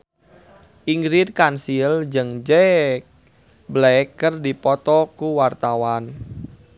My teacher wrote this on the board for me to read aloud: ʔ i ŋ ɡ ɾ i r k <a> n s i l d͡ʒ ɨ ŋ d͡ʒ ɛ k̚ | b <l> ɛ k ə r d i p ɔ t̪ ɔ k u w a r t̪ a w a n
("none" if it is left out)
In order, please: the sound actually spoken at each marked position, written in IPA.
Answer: a, l

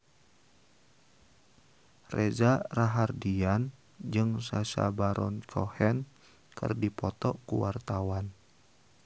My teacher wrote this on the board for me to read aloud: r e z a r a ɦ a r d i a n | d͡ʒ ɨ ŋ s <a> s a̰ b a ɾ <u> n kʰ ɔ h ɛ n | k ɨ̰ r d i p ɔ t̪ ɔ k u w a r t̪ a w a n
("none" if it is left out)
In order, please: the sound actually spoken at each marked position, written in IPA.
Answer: a, ɔ

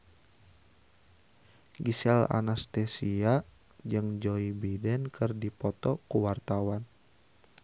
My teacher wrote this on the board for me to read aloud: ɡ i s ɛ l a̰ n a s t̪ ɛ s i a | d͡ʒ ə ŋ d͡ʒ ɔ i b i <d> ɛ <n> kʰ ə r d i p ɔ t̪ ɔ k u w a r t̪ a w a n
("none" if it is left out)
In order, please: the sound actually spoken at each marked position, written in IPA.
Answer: d, n

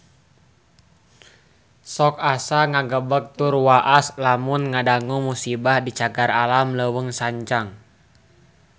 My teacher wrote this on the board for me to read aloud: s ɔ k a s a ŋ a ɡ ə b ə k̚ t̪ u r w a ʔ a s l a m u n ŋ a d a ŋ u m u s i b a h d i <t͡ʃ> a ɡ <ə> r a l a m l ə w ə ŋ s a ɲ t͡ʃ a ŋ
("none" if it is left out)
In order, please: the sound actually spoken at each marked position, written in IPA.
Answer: t͡ʃ, a

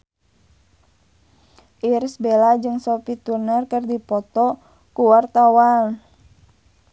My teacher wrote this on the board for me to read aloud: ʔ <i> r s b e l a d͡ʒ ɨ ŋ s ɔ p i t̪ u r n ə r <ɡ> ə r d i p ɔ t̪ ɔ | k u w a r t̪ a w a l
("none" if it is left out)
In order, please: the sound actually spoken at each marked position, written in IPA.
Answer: i, k

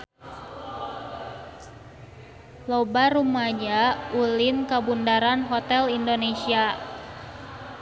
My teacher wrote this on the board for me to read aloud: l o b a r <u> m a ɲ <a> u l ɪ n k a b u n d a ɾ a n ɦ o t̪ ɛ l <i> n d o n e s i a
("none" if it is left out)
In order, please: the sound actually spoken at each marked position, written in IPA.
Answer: u, a, i

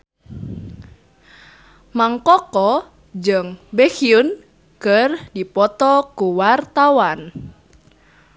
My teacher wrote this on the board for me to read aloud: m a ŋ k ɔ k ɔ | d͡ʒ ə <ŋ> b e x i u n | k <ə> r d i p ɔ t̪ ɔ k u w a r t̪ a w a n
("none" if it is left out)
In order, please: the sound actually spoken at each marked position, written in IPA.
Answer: ŋ, ə

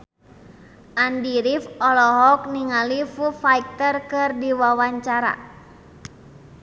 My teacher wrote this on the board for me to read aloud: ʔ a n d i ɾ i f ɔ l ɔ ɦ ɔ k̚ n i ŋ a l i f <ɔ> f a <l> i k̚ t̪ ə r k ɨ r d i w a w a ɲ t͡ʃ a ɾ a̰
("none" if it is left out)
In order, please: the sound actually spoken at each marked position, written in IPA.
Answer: u, none

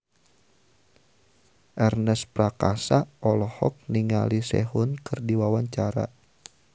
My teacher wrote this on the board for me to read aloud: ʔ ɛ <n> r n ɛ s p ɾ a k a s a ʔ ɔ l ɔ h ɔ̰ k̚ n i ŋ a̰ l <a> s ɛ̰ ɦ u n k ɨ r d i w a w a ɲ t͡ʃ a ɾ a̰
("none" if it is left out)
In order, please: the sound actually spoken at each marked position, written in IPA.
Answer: none, i

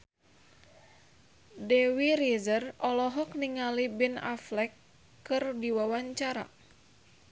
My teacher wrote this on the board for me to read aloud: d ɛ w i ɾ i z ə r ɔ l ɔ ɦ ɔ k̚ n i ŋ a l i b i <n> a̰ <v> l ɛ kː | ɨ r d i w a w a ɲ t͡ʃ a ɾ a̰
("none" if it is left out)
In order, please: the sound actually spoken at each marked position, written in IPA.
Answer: n, f

